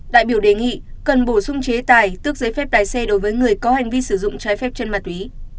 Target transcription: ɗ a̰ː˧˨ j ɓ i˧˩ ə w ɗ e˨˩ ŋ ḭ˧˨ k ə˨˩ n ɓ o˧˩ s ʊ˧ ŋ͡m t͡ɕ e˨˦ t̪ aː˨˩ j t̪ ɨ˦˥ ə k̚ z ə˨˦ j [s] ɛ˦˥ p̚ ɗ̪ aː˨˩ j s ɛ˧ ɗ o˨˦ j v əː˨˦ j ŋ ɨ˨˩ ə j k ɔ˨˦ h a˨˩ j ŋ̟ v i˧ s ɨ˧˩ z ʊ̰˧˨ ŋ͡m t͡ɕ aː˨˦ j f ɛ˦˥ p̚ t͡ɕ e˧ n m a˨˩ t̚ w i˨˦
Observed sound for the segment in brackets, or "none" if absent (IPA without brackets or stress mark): f